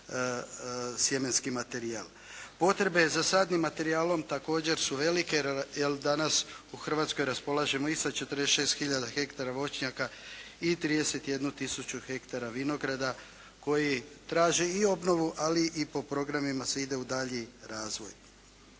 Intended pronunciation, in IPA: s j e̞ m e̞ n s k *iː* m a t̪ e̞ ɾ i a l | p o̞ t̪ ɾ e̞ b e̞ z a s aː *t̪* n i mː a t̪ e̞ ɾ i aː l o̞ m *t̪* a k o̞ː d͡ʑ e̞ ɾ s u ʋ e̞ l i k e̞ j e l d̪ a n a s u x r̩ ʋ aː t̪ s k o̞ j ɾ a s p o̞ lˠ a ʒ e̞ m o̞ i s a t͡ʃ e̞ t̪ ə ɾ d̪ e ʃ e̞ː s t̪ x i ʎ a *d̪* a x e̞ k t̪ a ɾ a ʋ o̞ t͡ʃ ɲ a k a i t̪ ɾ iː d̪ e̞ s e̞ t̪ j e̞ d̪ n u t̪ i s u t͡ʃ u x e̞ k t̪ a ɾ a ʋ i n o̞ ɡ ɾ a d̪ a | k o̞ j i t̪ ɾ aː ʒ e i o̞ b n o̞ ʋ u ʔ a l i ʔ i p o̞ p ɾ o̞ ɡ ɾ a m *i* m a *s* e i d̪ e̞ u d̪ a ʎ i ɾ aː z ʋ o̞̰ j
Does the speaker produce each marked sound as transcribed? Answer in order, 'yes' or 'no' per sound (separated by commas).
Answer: no, no, yes, yes, yes, yes